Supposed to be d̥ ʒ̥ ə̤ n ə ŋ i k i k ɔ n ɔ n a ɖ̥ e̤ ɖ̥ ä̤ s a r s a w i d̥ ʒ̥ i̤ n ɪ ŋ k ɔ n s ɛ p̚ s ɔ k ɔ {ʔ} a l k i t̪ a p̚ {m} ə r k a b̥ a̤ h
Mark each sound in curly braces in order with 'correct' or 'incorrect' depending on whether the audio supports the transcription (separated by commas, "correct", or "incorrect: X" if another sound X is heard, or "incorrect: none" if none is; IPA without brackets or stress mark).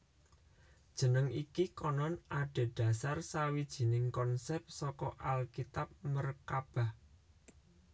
correct, correct